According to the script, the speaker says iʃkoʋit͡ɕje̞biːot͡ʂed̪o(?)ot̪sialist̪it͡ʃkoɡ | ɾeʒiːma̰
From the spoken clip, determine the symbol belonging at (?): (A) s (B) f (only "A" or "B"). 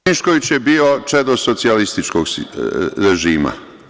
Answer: A